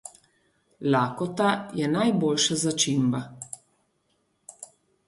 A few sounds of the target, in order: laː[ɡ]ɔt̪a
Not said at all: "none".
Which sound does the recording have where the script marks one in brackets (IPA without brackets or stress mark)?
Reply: k